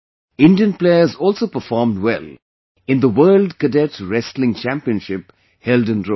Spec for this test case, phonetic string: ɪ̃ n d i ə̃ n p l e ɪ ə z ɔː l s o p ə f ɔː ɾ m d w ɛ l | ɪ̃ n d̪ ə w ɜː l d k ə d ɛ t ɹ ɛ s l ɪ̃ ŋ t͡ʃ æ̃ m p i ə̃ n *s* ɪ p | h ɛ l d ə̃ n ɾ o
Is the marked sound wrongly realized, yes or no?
yes